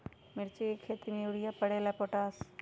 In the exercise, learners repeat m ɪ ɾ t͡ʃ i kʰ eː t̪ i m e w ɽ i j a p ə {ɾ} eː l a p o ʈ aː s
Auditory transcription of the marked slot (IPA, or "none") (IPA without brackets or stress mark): ɽ